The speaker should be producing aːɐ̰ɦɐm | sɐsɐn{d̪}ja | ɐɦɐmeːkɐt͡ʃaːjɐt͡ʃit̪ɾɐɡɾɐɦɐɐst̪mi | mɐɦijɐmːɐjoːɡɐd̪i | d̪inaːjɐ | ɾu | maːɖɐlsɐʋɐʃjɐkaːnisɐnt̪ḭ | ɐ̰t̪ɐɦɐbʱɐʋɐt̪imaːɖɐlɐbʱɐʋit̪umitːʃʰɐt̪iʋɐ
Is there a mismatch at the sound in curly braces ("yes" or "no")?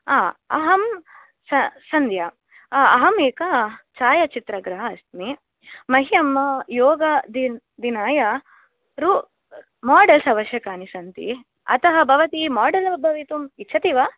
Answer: no